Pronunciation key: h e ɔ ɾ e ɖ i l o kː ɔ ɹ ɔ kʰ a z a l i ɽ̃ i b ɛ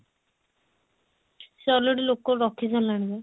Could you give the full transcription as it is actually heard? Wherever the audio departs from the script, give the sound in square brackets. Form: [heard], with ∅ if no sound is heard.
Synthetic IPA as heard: [s] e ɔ [l] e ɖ i l o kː ɔ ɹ ɔ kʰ [i] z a l [a] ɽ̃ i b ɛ